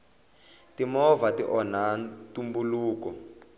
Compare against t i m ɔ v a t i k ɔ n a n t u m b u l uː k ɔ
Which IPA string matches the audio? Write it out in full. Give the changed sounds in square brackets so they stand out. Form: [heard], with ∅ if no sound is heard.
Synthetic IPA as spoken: t i m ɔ v a t i [ʔ] ɔ n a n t u m b u l uː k ɔ